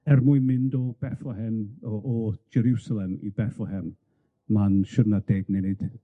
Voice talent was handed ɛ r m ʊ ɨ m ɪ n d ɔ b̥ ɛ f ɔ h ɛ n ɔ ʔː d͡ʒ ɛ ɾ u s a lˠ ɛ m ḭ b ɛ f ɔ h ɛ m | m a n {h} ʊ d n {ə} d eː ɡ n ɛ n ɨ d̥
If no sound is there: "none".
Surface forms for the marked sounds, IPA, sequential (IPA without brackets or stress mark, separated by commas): ʃ, a